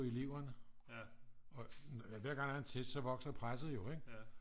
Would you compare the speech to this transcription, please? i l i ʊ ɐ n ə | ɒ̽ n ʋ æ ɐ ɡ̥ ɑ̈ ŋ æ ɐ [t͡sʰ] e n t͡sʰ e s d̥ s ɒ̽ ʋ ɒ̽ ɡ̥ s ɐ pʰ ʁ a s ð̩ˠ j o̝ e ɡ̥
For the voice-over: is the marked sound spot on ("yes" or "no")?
no